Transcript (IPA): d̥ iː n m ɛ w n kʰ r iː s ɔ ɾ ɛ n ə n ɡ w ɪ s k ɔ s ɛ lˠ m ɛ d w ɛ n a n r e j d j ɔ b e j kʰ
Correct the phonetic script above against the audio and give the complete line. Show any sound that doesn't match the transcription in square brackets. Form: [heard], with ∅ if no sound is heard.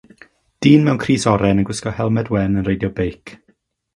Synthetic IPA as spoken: d̥ iː n m ɛ w n kʰ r iː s ɔ ɾ ɛ n ə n ɡ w ɪ s k ɔ [h] ɛ lˠ m ɛ d w ɛ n [ə] n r e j d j ɔ b e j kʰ